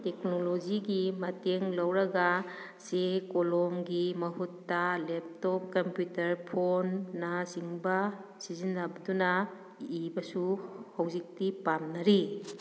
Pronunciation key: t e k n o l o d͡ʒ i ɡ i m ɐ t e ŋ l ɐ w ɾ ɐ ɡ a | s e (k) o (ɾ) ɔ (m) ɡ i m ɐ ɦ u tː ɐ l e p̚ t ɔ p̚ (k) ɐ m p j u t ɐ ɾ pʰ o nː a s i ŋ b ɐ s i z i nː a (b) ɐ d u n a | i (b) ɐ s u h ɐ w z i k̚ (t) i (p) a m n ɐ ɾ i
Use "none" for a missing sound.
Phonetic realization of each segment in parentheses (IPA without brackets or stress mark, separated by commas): k, l, m, k, b, b, t, p